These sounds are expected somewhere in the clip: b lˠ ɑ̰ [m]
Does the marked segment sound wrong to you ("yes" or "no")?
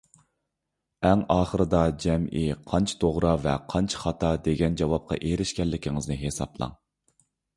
yes